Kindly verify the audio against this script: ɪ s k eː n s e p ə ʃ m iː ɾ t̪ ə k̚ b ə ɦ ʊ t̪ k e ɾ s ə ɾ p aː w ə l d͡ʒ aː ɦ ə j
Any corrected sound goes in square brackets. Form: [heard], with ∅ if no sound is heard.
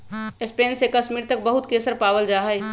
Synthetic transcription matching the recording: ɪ s [p] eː n s e [k] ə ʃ m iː ɾ t̪ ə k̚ b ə ɦ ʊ t̪ k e [∅] s ə ɾ p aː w ə l d͡ʒ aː ɦ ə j

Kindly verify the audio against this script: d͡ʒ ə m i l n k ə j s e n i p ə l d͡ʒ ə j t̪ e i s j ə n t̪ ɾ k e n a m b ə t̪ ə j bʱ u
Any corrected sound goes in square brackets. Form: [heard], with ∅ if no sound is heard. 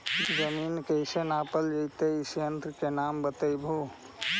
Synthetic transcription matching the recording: d͡ʒ ə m i [∅] n k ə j s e n [a] p ə l d͡ʒ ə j t̪ e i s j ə n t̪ ɾ k e n a m b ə t̪ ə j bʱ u

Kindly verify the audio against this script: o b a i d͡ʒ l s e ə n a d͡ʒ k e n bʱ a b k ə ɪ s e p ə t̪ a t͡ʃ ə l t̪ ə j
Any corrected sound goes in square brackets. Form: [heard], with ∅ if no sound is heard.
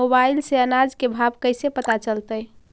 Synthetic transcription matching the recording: o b a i [∅] l s e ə n a d͡ʒ k e [∅] bʱ a b k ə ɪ s e p ə t̪ a t͡ʃ ə l t̪ ə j

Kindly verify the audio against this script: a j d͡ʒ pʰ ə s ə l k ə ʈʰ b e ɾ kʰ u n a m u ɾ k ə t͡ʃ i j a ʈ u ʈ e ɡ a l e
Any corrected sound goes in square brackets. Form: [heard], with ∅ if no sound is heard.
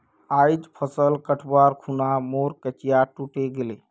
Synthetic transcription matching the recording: a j d͡ʒ pʰ ə s ə l k ə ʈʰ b [a] ɾ kʰ u n a m [o] ɾ k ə t͡ʃ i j a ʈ u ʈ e ɡ [e] l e

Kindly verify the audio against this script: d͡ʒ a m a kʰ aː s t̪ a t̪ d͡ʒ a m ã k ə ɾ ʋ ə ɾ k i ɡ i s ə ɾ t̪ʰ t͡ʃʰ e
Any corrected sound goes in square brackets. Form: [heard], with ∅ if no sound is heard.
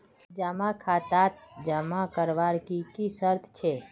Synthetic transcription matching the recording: d͡ʒ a m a kʰ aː [∅] t̪ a t̪ d͡ʒ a m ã k ə ɾ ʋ [a] ɾ k i [k] i s ə ɾ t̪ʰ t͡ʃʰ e

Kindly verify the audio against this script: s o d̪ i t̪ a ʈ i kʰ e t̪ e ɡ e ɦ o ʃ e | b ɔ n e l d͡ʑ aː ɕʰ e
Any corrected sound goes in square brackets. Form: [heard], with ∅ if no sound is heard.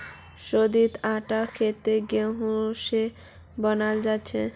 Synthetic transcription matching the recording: [ʃ] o d̪ i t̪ a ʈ [a] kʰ e t̪ e ɡ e ɦ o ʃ e | b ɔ n [a] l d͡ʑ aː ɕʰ e

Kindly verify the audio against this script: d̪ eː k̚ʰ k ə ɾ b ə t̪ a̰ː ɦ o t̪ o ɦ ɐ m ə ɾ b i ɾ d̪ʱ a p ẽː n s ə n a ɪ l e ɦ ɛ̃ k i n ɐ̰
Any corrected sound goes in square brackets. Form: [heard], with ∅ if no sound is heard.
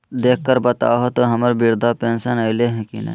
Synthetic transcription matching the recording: d̪ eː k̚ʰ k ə ɾ b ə t̪ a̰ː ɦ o t̪ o ɦ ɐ m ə ɾ b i ɾ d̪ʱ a p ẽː n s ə n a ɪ l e ɦ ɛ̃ k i n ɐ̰

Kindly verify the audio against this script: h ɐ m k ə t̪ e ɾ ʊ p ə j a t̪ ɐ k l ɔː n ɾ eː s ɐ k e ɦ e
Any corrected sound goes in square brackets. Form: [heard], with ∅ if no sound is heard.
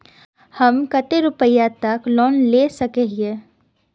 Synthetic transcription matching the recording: h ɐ m k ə t̪ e ɾ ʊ p ə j a t̪ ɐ k l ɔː n [l] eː s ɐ k e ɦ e

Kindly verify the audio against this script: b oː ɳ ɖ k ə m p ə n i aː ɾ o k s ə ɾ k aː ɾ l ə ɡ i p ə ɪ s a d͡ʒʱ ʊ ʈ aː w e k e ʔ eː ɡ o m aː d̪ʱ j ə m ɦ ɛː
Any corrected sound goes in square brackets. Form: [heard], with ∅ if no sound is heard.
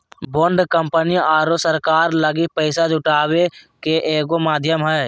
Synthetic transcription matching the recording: b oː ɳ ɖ k ə m p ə n i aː ɾ o [∅] s ə ɾ k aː ɾ l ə ɡ i p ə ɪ s a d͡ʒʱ ʊ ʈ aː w e k e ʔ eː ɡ o m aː d̪ʱ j ə m ɦ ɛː

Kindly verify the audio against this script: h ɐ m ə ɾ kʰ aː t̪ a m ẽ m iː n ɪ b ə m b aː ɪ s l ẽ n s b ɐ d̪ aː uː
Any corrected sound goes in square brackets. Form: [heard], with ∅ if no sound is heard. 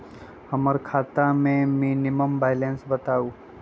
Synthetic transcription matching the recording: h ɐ m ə ɾ kʰ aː t̪ a m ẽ m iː n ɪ [m] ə m b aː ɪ [∅] l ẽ n s b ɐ [t̪] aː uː

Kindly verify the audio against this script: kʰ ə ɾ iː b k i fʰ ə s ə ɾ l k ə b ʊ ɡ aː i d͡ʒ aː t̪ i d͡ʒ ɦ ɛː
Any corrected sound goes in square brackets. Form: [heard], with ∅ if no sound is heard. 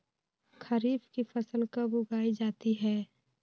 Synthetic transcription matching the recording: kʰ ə ɾ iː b k i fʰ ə s ə [∅] l k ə b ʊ ɡ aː i d͡ʒ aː t̪ i [∅] ɦ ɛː

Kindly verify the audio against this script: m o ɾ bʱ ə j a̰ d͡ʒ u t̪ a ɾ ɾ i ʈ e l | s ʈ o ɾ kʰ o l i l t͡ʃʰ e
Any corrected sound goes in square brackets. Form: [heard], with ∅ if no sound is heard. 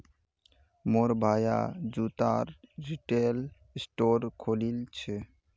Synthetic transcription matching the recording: m o ɾ bʱ [a] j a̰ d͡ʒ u t̪ a ɾ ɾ i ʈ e l | s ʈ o ɾ kʰ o l i l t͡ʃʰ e

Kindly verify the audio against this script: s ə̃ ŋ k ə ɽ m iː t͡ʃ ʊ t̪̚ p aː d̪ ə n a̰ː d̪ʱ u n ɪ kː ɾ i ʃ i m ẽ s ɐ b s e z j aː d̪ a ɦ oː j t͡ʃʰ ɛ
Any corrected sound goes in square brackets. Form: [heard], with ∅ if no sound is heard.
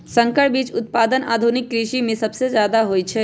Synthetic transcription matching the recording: s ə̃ ŋ k ə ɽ [b] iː t͡ʃ ʊ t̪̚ p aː d̪ ə n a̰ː d̪ʱ u n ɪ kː ɾ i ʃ i m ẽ s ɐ b s e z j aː d̪ a ɦ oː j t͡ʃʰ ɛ

